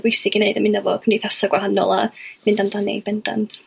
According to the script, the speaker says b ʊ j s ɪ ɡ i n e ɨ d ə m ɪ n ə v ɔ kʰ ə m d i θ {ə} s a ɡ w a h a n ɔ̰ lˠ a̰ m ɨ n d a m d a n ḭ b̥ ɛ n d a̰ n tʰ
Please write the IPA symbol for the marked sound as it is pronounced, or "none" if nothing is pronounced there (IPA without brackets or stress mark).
a